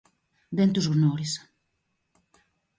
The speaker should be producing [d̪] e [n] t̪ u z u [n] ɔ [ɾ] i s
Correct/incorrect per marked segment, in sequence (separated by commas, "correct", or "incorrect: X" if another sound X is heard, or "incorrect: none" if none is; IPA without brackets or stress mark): correct, correct, correct, correct